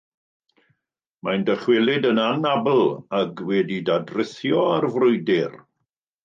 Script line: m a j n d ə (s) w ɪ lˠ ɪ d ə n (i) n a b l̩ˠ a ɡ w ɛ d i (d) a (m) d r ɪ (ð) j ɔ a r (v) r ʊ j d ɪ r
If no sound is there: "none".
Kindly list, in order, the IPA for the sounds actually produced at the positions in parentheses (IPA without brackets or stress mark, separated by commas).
χ, a, d, none, θ, v